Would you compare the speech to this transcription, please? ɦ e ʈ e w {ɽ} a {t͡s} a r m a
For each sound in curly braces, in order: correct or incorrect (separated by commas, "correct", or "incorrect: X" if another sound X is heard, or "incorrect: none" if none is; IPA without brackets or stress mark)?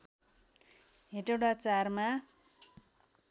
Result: correct, correct